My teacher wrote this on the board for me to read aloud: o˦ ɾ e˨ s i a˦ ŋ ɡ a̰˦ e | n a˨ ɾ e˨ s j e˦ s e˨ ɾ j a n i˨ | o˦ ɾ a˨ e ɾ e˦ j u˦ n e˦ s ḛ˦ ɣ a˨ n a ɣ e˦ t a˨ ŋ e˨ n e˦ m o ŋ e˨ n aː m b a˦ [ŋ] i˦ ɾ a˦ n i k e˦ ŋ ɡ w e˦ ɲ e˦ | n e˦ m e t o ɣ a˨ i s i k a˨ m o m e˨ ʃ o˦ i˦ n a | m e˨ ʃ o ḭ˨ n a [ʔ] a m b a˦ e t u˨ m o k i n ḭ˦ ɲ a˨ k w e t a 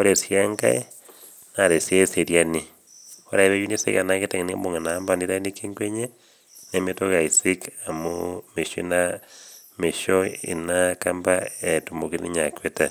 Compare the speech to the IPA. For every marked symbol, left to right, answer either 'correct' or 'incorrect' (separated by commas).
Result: incorrect, incorrect